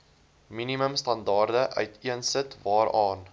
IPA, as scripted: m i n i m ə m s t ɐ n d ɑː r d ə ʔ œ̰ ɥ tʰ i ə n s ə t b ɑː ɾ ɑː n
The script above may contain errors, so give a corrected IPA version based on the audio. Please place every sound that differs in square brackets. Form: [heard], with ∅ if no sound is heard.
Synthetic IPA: m i n i m ə m s t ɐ n d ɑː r d ə ʔ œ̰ ɥ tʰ i ə n s ə t [v] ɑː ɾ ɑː n